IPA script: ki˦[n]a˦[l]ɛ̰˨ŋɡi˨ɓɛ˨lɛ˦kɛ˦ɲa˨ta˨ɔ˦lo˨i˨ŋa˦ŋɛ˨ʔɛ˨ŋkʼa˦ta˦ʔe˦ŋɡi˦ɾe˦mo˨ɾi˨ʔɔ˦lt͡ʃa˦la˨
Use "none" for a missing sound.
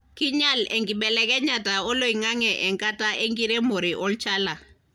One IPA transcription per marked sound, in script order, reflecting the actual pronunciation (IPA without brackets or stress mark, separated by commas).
ɲ, l